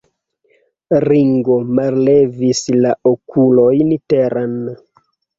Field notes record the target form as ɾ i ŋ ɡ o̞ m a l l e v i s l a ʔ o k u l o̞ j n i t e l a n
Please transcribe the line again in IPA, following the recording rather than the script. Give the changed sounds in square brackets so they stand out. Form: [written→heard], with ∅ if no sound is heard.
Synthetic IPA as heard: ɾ i ŋ ɡ o̞ m a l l e v i s l a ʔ o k u l o̞ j n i t e [l→ɾ] a n